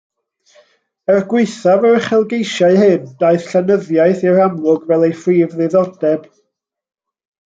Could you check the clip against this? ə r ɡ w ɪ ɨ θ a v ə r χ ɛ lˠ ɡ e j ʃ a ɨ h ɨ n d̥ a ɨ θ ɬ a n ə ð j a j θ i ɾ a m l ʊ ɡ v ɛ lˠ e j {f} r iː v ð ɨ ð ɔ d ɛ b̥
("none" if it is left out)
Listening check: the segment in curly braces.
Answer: f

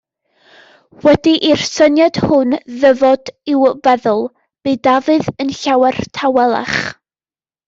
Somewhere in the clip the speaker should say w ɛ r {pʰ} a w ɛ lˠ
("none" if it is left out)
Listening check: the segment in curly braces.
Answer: tʰ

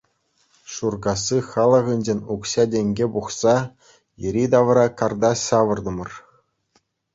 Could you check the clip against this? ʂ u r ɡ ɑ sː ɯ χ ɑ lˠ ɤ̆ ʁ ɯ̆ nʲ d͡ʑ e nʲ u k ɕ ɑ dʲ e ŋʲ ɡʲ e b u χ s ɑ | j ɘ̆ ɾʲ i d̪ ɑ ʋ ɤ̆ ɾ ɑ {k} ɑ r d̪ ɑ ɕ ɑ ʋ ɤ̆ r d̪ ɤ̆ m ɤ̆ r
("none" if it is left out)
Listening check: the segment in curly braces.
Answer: k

